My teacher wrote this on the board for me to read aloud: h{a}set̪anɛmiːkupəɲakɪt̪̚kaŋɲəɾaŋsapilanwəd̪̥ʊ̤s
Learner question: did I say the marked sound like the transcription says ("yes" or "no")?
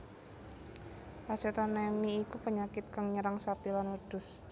yes